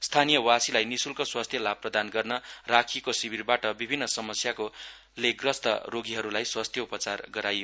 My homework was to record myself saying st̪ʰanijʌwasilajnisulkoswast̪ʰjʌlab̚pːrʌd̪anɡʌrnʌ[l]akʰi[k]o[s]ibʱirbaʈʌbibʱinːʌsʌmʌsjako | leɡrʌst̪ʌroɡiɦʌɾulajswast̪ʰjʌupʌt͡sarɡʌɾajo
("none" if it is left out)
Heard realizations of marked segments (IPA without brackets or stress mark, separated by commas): r, k, s